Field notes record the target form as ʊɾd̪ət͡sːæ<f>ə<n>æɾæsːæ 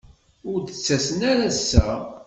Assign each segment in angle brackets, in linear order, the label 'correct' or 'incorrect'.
incorrect: s, correct

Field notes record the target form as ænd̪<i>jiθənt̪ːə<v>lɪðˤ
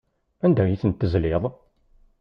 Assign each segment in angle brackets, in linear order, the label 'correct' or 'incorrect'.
incorrect: æ, incorrect: z

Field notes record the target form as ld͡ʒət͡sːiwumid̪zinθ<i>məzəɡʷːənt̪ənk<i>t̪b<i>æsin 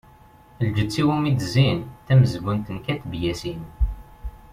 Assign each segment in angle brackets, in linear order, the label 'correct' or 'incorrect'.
incorrect: æ, incorrect: æ, incorrect: j

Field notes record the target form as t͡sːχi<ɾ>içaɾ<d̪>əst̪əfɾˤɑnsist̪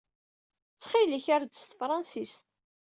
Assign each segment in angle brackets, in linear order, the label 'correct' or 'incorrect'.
incorrect: l, correct

